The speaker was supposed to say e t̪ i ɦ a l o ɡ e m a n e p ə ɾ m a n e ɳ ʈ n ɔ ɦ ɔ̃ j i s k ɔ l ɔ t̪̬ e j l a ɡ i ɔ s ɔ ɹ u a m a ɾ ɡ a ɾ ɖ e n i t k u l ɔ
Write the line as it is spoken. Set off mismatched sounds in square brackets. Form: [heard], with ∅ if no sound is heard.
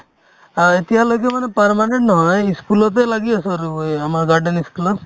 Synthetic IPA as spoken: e t̪ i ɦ a l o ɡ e m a n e p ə ɾ m a n e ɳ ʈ n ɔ ɦ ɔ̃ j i s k [u] l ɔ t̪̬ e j l a ɡ i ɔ s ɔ [ɾ] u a m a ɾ ɡ a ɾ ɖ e n i [s] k u l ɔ